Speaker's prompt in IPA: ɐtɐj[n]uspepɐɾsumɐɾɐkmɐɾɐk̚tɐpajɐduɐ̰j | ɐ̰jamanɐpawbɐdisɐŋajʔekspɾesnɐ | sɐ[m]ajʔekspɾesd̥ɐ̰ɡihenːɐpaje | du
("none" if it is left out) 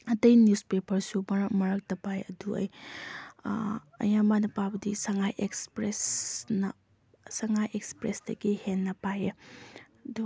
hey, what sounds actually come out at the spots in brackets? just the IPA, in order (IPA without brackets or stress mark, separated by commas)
n, ŋ